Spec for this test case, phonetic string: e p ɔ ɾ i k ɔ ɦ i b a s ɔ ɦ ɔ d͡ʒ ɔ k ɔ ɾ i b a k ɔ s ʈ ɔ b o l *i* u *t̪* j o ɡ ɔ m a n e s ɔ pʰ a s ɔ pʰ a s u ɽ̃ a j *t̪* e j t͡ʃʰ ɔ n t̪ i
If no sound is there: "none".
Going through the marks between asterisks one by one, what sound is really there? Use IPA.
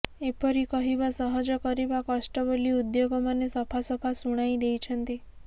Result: i, d̪, d̪

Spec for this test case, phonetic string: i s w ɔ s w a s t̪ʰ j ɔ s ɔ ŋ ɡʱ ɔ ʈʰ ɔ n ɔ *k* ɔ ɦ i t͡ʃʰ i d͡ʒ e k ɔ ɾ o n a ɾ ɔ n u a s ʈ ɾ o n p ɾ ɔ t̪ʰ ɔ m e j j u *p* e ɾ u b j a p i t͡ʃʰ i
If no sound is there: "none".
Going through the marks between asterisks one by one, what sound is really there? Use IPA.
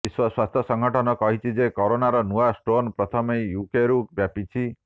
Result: k, k

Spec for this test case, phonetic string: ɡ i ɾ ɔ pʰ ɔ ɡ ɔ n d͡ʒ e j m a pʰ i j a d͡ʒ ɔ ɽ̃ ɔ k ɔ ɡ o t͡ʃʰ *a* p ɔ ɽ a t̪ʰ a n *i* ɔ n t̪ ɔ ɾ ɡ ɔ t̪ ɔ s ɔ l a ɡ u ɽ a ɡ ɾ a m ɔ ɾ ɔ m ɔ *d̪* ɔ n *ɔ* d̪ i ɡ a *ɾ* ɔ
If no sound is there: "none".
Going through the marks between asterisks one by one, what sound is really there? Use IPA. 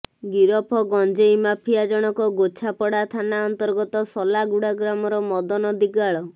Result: a, a, d̪, ɔ, ɭ

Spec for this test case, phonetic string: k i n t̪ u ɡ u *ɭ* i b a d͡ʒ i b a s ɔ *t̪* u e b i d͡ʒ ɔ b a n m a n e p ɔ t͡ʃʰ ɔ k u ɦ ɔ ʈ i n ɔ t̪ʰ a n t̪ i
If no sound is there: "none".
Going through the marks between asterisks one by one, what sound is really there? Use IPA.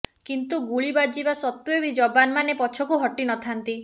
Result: ɭ, t̪

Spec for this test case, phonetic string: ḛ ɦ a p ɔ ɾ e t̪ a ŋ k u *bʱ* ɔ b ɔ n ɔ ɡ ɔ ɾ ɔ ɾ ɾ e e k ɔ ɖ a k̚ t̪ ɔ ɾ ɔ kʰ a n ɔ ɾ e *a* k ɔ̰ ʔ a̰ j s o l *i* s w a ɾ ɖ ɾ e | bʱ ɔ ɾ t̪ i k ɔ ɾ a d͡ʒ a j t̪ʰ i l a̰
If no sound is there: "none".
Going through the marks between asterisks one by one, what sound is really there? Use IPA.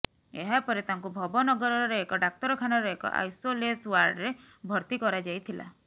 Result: bʱ, e, e

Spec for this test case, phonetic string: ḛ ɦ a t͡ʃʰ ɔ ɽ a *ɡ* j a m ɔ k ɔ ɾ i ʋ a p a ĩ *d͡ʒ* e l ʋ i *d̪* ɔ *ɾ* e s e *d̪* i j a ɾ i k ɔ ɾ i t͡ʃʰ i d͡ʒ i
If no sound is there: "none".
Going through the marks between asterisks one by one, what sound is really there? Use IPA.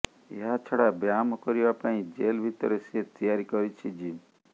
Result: b, d͡ʒ, t̪, ɾ, t̪

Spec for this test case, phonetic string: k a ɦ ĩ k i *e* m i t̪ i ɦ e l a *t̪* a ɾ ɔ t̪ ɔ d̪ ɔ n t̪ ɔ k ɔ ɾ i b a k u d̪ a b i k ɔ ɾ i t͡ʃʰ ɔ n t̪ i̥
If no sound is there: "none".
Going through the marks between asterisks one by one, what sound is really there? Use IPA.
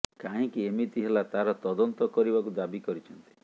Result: e, t̪

